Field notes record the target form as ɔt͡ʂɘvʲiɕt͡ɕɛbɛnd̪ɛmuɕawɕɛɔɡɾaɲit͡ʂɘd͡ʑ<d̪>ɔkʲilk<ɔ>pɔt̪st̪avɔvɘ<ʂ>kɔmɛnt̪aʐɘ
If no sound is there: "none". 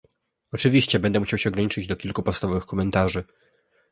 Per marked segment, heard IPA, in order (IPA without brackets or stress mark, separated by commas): d̪, u, x